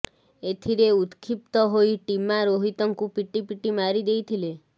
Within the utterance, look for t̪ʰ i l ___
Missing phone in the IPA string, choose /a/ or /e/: e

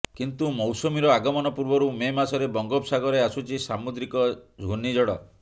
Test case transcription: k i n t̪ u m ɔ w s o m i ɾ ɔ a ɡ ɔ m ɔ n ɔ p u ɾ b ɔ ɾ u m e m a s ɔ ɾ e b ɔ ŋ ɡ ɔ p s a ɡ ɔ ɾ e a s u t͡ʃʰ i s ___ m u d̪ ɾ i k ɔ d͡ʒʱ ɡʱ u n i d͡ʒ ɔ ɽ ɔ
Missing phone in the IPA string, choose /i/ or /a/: a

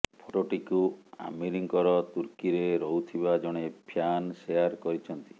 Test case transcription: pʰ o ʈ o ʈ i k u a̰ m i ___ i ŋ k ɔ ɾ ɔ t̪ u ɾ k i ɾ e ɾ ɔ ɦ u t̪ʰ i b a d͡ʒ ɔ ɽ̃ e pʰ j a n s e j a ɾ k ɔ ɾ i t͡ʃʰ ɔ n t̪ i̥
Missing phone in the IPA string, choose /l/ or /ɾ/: ɾ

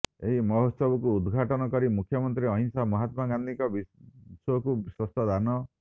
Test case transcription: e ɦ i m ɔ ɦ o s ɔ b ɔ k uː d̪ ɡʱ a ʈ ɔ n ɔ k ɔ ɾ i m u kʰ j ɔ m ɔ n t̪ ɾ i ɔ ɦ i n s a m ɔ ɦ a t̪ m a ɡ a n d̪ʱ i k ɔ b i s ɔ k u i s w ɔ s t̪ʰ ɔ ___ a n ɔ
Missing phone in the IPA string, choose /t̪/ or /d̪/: d̪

